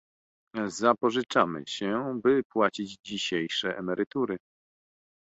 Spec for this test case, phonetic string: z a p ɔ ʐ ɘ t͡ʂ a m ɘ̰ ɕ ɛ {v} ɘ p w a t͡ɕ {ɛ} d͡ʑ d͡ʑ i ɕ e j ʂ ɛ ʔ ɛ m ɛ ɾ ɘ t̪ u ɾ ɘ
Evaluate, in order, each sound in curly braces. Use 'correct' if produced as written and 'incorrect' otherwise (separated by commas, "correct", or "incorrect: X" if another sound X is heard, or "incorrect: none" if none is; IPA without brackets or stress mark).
incorrect: b, incorrect: i